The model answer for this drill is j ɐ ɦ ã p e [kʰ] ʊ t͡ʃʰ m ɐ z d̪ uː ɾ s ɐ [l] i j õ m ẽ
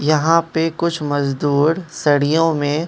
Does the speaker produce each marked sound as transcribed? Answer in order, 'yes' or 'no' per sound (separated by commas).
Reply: no, no